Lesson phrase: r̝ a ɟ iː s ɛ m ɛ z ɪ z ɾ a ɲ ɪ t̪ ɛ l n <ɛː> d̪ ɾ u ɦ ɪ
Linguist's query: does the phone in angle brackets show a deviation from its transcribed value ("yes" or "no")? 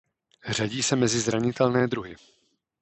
no